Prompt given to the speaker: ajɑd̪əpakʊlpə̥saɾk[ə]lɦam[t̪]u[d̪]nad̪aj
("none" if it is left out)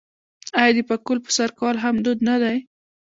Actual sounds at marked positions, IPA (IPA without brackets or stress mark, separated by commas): ɑ, d̪, d̪